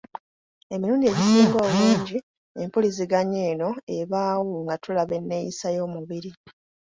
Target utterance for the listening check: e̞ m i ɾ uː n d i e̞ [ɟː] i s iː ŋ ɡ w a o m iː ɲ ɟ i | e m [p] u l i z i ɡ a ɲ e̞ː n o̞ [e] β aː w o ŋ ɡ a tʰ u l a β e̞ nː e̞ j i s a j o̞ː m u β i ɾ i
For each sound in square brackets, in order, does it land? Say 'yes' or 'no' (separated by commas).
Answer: no, yes, yes